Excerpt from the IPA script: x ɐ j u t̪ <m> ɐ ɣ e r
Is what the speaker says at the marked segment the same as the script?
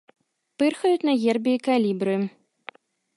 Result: no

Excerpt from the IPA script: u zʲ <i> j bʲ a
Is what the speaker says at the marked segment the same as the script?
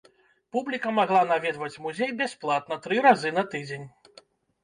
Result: no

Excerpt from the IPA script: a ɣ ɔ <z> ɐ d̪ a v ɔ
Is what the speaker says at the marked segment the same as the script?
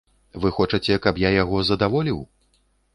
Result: yes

